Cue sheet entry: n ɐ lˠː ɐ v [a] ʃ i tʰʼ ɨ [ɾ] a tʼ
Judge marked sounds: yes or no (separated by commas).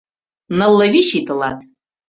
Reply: no, no